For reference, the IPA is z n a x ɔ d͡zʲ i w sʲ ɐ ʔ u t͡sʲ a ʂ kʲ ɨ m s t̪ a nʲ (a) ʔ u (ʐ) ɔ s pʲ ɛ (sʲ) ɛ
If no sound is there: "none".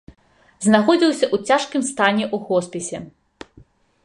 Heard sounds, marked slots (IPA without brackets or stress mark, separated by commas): ɛ, ɣ, sʲ